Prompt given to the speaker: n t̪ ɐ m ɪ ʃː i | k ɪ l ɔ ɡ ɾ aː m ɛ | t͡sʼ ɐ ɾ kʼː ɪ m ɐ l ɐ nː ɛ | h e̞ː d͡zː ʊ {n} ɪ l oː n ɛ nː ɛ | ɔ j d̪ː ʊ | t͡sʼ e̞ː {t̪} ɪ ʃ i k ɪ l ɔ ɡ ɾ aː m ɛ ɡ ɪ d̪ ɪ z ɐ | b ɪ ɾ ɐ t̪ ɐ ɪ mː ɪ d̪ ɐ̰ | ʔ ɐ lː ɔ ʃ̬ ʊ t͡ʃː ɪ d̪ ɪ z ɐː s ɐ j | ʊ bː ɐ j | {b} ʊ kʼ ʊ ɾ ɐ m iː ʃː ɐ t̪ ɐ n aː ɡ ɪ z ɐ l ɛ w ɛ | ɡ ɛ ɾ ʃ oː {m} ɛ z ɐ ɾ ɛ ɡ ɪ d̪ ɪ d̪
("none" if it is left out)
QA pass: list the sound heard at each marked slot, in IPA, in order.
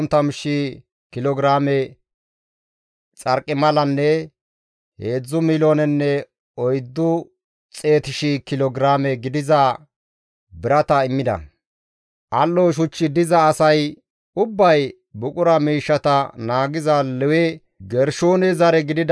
m, t̪, b, n

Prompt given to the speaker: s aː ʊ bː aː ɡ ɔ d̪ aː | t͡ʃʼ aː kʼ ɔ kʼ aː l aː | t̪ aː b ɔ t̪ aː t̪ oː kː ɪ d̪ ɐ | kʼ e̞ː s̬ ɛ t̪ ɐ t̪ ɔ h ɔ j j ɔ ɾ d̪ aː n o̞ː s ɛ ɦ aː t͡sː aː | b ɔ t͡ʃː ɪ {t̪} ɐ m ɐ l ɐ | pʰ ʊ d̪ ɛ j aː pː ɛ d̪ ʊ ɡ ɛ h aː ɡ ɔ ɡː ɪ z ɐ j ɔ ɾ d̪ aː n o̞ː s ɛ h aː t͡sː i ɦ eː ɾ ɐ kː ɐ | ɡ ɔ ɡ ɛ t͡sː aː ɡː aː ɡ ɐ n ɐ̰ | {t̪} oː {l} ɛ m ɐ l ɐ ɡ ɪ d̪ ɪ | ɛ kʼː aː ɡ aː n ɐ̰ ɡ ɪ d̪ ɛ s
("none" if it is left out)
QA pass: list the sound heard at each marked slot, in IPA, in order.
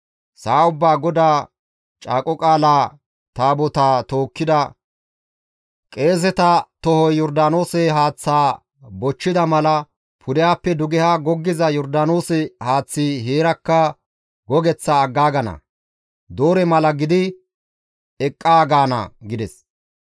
d̪, d̪, ɾ

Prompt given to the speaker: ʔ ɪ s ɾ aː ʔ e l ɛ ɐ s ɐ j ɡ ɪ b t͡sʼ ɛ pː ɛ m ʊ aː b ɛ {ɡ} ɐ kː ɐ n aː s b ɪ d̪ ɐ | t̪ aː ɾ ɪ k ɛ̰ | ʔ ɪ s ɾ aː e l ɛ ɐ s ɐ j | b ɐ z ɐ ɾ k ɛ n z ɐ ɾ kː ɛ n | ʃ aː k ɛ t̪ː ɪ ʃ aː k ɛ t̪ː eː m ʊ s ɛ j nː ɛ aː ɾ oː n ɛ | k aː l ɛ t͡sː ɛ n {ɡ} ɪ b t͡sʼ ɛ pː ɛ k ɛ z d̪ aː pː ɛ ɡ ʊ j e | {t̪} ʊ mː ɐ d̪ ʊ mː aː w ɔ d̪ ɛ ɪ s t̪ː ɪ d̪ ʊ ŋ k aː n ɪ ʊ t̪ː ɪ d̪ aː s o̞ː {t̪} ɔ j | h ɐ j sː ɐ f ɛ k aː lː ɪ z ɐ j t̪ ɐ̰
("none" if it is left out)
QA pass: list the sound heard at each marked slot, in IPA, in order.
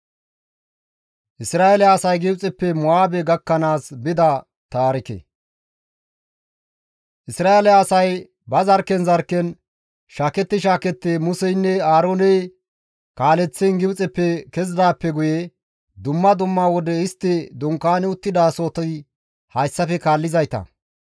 ɡ, ɡ, d̪, t̪

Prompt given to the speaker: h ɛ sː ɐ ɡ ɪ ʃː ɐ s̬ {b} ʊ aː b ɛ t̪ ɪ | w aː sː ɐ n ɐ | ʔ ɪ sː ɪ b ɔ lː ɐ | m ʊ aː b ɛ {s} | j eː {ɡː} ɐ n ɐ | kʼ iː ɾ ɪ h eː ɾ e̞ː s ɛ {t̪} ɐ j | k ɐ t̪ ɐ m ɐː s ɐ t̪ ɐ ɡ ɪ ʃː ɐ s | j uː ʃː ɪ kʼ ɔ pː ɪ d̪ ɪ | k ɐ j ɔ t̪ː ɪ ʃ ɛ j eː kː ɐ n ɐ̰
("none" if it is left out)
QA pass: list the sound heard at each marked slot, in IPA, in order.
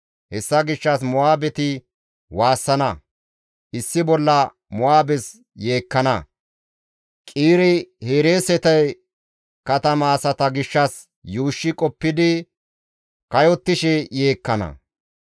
m, s, kː, t̪

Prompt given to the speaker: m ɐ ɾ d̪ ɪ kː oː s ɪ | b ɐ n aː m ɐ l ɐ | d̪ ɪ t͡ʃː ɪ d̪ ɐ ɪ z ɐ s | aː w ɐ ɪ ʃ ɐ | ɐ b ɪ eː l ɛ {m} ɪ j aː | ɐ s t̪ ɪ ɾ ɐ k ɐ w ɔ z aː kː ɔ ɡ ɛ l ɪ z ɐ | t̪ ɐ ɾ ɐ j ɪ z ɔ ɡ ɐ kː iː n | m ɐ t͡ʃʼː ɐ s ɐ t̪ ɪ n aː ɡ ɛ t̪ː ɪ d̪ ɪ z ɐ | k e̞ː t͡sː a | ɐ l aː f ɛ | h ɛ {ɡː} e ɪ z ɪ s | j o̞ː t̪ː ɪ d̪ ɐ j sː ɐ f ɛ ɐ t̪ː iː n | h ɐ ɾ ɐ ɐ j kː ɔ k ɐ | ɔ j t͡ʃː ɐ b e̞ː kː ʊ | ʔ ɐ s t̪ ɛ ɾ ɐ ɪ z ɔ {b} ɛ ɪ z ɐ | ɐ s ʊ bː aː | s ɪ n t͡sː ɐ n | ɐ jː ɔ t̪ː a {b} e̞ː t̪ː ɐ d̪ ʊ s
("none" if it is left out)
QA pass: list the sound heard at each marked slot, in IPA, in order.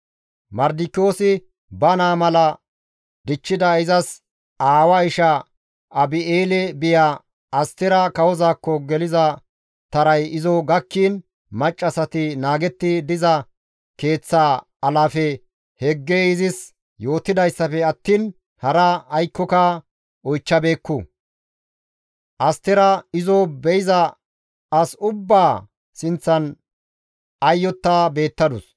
b, ɡː, b, b

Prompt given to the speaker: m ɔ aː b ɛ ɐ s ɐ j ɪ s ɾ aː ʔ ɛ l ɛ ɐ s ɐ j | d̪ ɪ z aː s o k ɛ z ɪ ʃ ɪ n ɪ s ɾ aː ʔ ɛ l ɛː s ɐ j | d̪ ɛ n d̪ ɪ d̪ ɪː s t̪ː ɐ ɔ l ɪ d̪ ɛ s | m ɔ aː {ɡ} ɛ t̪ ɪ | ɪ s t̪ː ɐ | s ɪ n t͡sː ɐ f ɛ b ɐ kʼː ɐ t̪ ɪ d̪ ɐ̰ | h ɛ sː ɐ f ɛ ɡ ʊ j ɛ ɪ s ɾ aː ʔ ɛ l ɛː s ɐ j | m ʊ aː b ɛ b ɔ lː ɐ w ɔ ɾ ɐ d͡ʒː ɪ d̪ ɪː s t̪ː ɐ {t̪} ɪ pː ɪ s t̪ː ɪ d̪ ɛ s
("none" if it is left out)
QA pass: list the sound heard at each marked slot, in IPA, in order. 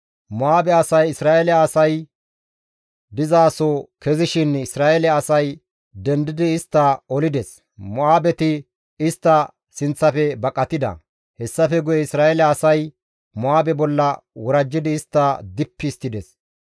b, d̪

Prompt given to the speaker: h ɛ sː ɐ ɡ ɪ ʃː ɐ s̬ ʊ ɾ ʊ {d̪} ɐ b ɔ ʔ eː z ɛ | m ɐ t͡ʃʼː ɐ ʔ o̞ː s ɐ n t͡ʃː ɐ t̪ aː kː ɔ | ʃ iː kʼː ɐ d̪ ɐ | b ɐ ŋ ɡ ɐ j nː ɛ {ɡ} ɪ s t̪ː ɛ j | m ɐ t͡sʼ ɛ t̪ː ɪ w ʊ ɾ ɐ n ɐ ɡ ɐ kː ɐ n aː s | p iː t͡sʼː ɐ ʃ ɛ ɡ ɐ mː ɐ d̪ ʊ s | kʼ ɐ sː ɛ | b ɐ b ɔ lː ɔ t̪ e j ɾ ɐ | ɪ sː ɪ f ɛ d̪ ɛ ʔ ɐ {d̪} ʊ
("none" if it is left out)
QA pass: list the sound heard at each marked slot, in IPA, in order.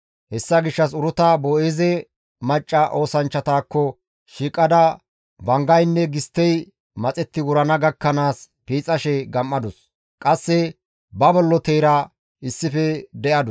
t̪, ɡ, d̪

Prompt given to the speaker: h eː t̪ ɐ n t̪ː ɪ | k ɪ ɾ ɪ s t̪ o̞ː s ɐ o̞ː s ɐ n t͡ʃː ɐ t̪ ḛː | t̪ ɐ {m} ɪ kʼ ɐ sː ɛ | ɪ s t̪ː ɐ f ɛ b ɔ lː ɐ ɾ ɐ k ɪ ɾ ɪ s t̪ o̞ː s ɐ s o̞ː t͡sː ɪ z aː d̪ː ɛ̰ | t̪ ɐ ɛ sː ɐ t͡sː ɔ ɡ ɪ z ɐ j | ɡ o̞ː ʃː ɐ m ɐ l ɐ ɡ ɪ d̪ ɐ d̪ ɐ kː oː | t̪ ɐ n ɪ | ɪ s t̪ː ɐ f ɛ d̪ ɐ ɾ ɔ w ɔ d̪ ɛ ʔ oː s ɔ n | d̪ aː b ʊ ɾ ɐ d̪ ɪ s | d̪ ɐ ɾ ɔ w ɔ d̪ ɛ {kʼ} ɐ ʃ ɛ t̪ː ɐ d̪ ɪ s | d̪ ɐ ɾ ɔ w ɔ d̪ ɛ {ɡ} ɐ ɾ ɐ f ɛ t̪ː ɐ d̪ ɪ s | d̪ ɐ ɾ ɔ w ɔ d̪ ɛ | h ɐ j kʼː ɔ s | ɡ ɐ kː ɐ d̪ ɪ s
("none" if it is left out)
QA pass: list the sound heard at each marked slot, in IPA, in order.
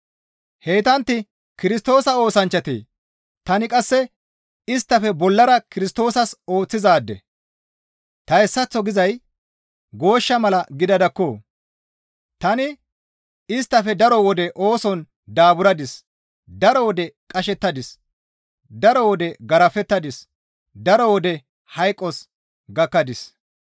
n, kʼ, ɡ

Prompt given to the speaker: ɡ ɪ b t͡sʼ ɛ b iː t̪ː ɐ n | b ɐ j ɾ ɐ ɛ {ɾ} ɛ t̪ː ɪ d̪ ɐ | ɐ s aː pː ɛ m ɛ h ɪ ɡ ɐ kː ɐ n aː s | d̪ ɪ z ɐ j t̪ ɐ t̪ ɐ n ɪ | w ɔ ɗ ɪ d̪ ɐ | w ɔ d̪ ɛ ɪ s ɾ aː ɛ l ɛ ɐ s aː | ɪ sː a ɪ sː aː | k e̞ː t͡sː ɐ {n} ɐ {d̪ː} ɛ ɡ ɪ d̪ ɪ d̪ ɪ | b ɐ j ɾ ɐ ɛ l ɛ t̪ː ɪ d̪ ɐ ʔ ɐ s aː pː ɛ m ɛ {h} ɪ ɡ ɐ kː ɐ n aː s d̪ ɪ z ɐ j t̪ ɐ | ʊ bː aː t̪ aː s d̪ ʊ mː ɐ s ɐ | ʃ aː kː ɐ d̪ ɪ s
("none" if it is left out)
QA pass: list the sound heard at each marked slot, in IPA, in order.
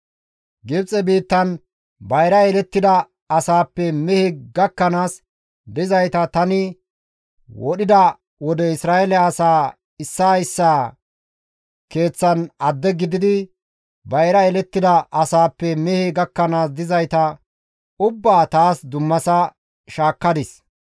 l, n, d̪ː, h

